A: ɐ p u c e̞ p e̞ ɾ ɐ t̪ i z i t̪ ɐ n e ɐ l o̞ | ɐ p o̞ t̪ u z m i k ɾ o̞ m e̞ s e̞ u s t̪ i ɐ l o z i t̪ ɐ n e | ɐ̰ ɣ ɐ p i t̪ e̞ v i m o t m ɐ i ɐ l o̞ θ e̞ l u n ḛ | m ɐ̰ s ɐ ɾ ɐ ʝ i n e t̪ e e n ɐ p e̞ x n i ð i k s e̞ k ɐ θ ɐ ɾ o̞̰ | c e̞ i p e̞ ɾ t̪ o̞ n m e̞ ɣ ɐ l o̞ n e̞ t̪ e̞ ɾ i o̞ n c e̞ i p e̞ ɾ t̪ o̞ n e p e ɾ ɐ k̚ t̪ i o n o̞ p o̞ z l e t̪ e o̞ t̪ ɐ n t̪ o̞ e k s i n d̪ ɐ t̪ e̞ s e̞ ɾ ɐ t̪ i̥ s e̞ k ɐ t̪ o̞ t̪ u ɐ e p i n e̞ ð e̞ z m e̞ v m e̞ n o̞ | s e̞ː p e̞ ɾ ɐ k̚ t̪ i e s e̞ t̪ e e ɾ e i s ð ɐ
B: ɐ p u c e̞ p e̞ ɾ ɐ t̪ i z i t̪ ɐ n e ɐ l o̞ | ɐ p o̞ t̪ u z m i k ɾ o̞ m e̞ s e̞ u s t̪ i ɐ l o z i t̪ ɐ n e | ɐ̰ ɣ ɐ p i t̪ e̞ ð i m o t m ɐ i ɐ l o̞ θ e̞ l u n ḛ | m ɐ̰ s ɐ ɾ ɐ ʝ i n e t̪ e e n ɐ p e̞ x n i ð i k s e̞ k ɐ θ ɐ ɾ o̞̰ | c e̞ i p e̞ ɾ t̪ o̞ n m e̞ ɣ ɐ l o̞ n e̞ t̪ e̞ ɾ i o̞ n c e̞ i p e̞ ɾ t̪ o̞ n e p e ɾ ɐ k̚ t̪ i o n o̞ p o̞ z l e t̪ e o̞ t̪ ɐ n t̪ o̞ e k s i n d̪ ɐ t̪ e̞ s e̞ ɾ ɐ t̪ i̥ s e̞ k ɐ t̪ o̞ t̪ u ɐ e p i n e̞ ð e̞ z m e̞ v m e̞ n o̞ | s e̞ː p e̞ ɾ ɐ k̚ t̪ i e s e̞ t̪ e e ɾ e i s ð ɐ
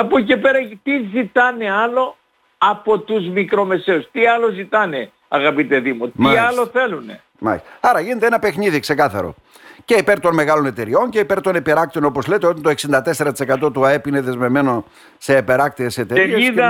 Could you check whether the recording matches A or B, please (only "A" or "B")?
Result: B